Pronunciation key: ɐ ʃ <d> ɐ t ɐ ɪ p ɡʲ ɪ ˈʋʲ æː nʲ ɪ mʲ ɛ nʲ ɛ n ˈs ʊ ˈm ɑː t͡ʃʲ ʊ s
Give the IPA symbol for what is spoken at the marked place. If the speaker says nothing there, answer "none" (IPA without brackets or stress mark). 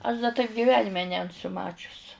d